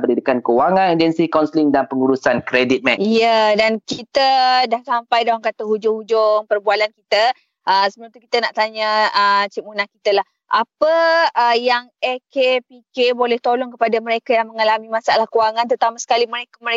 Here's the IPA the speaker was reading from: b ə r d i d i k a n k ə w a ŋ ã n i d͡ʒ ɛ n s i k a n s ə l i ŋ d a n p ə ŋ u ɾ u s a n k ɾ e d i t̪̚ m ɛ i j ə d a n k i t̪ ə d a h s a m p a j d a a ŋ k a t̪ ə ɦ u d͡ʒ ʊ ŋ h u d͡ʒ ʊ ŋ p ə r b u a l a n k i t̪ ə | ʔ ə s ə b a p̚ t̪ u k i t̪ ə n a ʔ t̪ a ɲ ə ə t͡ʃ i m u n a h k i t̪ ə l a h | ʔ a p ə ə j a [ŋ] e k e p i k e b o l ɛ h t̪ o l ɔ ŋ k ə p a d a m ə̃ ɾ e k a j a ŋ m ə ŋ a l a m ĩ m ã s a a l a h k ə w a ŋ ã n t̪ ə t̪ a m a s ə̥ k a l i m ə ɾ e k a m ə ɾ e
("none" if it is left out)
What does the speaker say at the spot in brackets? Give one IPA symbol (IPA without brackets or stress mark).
ŋ